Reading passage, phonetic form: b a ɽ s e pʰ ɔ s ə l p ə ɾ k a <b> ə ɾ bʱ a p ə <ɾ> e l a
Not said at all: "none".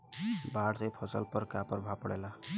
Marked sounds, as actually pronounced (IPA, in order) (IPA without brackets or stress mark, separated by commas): p, ɽ